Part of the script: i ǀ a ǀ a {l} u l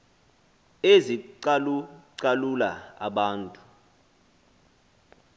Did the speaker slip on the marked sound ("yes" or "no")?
no